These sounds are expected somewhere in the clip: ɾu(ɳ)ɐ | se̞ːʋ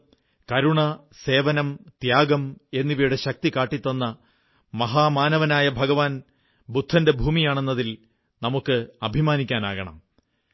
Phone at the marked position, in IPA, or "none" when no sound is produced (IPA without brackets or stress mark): ɳ